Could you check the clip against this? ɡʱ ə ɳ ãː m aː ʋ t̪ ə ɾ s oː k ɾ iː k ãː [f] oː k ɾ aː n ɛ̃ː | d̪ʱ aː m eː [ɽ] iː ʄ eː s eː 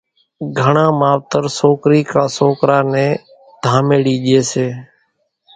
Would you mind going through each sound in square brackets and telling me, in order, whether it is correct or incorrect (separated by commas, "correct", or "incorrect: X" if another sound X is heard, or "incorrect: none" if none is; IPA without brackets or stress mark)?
incorrect: s, correct